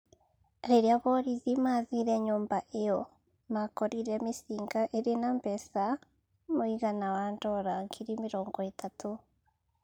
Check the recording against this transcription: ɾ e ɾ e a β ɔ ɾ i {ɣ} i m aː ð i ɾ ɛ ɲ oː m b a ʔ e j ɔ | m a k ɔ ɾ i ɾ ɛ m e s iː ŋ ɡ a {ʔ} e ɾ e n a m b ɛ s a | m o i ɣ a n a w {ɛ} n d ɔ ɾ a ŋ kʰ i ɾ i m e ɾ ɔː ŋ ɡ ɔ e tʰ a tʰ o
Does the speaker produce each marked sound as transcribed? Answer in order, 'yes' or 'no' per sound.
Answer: no, yes, no

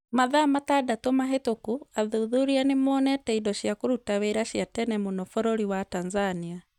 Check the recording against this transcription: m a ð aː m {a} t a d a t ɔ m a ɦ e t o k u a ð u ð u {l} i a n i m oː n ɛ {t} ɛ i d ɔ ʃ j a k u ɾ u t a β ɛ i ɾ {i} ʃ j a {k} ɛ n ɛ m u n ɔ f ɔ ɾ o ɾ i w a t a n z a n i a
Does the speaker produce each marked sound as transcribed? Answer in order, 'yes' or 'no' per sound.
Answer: yes, no, yes, no, no

